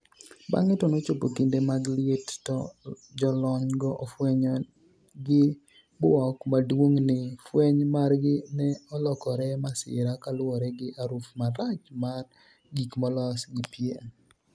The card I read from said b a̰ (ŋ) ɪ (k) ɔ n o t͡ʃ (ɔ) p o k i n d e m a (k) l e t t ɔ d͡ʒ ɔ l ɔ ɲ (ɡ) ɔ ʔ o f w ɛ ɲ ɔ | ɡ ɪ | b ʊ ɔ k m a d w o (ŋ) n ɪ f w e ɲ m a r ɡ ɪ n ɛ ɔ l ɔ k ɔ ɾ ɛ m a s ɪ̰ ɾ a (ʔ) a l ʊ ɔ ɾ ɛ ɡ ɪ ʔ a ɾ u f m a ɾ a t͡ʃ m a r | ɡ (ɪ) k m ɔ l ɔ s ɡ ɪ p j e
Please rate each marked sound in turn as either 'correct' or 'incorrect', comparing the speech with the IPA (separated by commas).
correct, incorrect, incorrect, incorrect, correct, correct, incorrect, incorrect